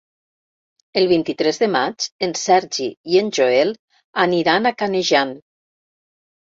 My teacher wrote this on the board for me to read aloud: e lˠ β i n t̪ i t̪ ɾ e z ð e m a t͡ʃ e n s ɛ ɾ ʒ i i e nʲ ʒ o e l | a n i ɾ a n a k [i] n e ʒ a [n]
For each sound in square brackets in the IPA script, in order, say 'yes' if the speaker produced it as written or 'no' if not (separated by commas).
no, yes